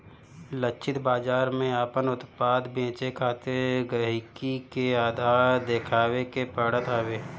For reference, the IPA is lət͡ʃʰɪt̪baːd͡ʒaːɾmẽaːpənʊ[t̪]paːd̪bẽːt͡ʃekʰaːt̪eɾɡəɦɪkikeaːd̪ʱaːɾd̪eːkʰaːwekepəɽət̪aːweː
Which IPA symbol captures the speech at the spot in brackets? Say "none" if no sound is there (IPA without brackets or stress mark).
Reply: t̪